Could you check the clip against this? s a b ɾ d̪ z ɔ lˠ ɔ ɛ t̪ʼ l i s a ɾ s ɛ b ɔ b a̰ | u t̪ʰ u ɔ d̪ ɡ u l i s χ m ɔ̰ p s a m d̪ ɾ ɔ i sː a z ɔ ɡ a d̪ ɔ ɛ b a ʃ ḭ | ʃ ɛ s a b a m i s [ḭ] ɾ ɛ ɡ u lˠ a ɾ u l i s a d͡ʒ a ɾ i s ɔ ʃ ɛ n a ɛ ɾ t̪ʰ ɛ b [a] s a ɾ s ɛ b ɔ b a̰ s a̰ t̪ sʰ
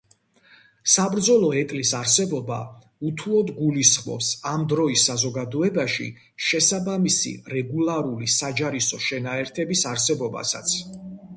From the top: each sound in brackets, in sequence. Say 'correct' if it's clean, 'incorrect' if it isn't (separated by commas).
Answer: correct, incorrect